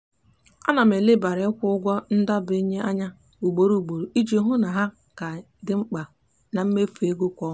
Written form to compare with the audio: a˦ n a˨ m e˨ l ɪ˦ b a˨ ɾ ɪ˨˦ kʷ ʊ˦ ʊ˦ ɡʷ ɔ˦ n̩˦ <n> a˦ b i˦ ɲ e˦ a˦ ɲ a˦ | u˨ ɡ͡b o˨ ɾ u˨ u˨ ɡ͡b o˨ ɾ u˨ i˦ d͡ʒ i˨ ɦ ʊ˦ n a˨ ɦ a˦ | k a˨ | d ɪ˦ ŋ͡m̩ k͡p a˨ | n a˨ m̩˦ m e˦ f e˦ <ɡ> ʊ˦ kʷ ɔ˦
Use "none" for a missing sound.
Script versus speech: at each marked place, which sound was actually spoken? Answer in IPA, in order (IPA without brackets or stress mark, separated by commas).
d, ɡ